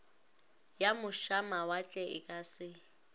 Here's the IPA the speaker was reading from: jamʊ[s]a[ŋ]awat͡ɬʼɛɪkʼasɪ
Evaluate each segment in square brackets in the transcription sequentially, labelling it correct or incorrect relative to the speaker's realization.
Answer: incorrect: ʃ, incorrect: m

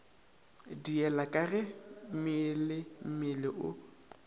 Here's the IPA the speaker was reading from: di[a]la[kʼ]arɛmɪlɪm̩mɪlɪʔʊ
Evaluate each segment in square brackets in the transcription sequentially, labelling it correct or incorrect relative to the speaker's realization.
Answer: incorrect: ɛ, correct

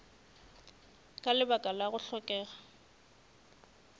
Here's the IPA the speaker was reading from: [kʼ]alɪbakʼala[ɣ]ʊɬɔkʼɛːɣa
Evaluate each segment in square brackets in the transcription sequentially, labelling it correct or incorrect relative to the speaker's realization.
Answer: correct, correct

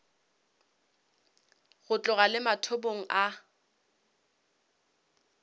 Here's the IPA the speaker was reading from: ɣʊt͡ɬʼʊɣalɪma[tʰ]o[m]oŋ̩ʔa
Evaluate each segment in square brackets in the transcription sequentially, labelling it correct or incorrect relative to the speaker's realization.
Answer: correct, incorrect: b

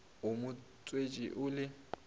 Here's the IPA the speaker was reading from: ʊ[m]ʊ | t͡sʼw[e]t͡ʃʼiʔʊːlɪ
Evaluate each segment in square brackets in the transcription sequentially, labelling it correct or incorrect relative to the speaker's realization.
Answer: correct, correct

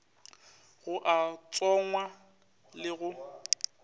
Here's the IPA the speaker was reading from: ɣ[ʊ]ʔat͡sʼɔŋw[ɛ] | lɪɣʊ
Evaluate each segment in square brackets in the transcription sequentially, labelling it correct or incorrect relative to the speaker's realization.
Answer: correct, incorrect: a

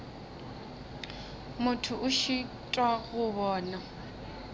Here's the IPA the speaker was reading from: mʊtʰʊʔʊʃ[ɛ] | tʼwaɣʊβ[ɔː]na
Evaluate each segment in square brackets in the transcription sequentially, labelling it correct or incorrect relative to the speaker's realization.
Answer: incorrect: i, correct

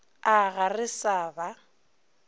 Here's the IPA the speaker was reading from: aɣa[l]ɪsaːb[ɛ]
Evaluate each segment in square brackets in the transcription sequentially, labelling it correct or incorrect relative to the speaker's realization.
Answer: incorrect: r, incorrect: a

